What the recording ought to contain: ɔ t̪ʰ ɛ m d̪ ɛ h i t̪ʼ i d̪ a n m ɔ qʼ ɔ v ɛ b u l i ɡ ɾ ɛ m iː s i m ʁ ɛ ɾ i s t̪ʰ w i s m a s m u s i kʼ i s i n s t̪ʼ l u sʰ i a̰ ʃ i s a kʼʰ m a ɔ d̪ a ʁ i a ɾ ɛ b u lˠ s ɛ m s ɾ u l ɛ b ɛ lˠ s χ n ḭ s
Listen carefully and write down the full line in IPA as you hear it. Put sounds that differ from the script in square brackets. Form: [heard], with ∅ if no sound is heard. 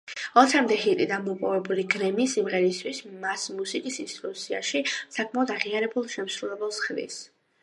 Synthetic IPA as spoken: ɔ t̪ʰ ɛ m d̪ ɛ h i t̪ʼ i d̪ a n m ɔ [pʼ] ɔ v ɛ b u l i ɡ ɾ ɛ m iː s i m ʁ ɛ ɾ i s t̪ʰ w i s m a s m u s i kʼ i s i n s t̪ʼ [ɾ] u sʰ i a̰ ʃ i s a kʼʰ m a ɔ d̪ a ʁ i a ɾ ɛ b u lˠ [ʃ] ɛ m s ɾ u l ɛ b ɛ lˠ s χ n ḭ s